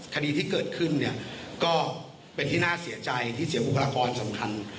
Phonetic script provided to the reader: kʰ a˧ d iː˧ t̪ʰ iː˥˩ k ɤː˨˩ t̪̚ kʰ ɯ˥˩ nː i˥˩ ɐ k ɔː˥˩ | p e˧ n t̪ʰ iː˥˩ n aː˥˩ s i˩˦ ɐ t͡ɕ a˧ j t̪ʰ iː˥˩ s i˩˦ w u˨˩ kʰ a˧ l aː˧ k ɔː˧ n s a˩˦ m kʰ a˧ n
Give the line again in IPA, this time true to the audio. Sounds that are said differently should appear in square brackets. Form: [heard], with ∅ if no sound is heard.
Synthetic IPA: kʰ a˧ d iː˧ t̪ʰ iː˥˩ k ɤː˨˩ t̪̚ kʰ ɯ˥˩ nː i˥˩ ɐ k ɔː˥˩ | p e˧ n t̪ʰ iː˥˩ n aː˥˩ s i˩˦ ɐ t͡ɕ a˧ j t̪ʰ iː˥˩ s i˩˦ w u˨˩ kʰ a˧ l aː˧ k ɔː˧ n s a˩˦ m kʰ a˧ n